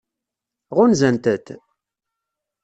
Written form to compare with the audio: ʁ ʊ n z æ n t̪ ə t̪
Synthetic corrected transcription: ʁ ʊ n z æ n t̪ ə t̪